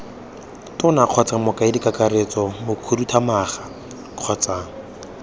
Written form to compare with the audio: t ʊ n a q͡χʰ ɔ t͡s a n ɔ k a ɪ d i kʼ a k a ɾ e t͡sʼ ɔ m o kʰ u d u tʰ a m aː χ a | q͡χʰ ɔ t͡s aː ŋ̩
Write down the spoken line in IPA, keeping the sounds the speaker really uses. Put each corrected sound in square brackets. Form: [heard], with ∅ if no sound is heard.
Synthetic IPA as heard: t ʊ n a q͡χʰ ɔ t͡s a [m] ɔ k a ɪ d i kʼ a k a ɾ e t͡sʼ ɔ m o kʰ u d u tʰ a m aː χ a | q͡χʰ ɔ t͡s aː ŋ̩